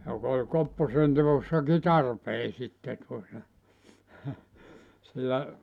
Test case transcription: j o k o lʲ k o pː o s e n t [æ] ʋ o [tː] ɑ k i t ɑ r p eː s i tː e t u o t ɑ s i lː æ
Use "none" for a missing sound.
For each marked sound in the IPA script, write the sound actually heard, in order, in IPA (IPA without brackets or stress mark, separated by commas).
e, sː